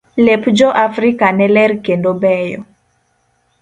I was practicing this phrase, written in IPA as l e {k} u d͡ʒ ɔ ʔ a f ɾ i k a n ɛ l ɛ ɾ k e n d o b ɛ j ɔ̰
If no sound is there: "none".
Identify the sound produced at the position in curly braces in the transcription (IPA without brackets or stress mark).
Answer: p